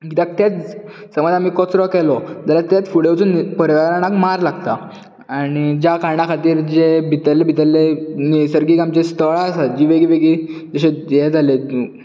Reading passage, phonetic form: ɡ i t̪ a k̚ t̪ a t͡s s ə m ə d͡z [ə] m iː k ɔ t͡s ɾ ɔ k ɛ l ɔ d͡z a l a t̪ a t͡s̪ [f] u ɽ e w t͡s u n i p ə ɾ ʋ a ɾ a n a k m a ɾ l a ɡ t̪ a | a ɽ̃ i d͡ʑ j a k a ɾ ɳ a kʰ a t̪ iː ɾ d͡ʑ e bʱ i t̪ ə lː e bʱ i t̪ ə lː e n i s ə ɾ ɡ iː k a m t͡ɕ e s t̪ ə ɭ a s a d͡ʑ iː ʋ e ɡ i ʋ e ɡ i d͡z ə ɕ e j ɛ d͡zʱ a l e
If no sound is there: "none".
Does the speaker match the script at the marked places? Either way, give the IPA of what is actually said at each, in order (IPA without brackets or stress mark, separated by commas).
a, f